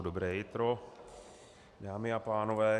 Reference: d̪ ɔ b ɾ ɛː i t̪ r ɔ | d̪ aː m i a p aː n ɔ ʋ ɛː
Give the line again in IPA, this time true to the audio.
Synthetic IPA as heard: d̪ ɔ b ɾ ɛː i t̪ ɾ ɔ | d̪ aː m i a p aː n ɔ ʋ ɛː